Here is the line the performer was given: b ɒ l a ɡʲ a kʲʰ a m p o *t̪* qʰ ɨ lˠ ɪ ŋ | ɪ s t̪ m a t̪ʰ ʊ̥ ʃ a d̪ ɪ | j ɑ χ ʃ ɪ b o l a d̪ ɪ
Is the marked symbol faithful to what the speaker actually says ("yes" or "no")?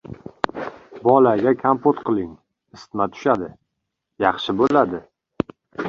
yes